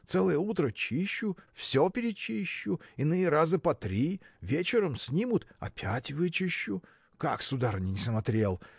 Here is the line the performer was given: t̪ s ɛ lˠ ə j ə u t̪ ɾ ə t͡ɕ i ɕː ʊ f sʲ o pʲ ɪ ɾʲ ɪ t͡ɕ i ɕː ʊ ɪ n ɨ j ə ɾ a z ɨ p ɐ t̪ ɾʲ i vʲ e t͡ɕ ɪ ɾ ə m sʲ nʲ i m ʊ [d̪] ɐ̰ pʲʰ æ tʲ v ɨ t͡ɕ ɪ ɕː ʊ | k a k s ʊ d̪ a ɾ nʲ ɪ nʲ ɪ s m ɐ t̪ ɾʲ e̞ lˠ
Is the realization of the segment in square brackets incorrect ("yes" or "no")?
yes